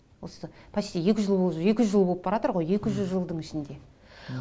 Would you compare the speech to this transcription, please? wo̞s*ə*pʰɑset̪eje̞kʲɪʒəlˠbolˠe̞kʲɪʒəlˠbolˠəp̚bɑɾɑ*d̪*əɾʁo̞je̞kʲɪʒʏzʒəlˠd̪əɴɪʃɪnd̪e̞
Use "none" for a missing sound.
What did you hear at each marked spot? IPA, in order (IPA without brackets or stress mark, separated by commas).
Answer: ə, t̪